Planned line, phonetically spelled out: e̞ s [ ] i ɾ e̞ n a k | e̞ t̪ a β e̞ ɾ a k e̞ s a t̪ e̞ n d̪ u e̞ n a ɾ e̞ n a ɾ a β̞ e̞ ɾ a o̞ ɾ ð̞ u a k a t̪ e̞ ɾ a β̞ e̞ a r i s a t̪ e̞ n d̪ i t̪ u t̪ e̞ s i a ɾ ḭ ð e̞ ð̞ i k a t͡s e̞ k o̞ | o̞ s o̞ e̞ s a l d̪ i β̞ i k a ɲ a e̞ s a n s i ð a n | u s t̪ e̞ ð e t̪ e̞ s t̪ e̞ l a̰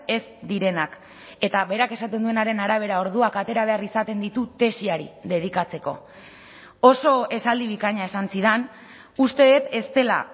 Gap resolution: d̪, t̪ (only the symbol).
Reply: d̪